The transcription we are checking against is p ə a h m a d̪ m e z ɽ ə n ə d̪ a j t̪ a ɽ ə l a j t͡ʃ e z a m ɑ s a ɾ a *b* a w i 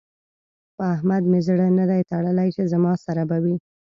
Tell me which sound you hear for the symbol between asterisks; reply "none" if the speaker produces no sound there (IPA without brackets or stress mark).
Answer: b